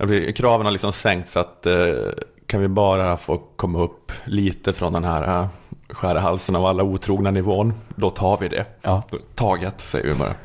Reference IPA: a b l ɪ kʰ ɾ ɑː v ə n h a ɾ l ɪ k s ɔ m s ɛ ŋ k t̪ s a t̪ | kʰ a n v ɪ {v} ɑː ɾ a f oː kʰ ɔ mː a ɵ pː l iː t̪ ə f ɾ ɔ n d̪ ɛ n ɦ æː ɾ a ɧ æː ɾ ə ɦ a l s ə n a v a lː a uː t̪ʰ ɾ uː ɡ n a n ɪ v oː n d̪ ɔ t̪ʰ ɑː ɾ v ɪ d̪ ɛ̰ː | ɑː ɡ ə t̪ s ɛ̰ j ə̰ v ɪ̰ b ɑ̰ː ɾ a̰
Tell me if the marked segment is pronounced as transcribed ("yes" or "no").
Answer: no